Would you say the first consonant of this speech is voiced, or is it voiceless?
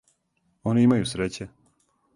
voiced